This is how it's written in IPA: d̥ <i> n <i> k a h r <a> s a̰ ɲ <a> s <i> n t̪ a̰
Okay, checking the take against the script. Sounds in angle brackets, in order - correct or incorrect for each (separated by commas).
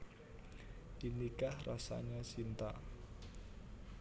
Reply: correct, correct, correct, correct, correct